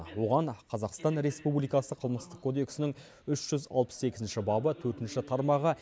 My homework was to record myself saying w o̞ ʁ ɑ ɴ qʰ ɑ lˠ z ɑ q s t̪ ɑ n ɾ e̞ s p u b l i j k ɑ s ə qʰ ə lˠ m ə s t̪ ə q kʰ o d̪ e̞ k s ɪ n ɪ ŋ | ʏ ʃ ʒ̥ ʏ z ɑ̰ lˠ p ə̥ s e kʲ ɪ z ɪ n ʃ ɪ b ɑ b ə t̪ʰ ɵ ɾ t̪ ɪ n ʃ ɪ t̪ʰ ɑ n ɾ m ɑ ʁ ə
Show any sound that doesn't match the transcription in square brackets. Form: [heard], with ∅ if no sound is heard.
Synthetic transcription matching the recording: w o̞ ʁ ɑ ɴ qʰ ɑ [∅] z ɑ q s t̪ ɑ n ɾ e̞ s p u b l i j k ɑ s ə qʰ ə lˠ m ə s t̪ ə q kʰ o d̪ e̞ k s ɪ n ɪ ŋ | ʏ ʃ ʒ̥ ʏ z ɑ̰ lˠ p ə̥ s e kʲ ɪ z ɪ n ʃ ɪ b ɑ b ə t̪ʰ ɵ ɾ t̪ ɪ n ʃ ɪ t̪ʰ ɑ [∅] ɾ m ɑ ʁ ə